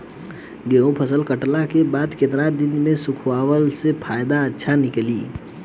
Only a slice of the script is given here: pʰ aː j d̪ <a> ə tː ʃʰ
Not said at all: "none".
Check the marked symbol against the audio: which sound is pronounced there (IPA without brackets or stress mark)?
a